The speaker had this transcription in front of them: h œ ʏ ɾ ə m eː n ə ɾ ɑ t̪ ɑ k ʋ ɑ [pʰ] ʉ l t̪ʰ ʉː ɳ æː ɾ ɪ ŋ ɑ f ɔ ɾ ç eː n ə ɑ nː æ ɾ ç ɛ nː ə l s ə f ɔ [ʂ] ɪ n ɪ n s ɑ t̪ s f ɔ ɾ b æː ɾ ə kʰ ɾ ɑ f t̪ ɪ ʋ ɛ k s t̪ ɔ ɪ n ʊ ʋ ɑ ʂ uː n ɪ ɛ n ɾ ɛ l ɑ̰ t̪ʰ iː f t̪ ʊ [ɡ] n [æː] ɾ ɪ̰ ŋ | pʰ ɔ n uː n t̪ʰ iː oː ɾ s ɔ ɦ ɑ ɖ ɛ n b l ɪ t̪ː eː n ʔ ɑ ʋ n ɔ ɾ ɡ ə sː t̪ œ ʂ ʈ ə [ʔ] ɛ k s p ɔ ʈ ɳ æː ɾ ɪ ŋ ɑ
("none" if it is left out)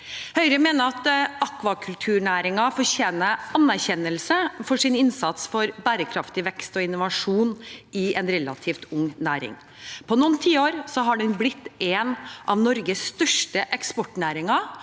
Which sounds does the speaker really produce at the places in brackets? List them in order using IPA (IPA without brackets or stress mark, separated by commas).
kʰ, ʂ, ŋ, æː, ʔ